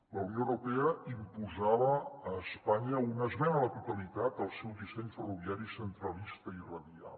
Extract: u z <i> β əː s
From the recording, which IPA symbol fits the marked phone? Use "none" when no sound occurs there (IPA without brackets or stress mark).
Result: a